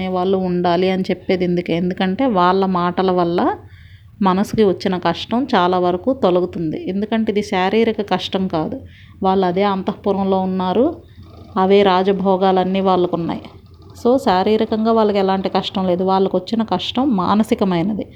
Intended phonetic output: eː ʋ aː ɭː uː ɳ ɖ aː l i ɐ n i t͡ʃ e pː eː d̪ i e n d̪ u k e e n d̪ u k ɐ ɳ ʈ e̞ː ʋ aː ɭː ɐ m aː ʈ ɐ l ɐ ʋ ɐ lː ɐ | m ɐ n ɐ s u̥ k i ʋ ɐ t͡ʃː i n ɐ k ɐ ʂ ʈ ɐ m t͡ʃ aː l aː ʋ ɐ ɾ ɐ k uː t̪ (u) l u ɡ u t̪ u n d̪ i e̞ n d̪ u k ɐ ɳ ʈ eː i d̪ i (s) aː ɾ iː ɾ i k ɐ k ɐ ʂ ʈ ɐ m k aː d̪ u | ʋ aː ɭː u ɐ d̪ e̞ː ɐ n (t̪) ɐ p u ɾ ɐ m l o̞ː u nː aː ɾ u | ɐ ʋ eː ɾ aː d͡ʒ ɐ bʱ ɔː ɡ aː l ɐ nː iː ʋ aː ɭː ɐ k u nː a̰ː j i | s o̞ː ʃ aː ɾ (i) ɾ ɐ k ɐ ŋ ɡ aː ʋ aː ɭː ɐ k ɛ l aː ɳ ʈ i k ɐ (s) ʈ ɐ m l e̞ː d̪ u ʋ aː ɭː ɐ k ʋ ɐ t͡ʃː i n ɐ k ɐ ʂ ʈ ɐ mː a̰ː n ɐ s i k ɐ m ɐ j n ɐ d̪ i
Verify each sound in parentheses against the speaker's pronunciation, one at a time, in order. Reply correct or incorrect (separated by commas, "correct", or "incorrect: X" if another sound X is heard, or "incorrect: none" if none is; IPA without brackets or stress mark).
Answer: incorrect: o, incorrect: ʃ, correct, incorrect: iː, incorrect: ʂ